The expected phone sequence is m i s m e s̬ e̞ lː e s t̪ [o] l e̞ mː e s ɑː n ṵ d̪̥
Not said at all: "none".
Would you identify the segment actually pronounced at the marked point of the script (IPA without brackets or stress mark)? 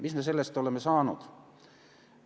o